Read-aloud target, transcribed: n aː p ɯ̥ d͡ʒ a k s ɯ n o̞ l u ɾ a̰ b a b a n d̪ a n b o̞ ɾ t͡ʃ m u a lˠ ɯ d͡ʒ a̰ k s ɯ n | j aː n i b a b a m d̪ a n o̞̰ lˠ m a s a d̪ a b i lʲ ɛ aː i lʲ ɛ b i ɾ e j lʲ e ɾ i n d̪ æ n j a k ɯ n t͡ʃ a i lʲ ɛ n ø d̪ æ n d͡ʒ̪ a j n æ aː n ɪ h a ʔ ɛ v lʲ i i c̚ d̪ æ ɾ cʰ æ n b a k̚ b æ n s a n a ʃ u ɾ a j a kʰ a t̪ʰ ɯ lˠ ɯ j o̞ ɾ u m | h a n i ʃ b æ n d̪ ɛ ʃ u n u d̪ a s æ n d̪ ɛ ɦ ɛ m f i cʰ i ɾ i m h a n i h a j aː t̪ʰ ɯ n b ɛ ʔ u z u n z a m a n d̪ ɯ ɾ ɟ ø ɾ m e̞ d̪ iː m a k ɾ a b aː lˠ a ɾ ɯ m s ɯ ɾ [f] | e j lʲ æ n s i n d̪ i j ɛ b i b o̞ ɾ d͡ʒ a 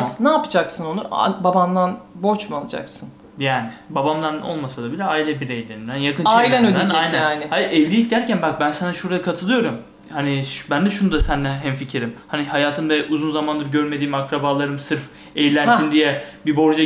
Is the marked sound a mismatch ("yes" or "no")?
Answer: no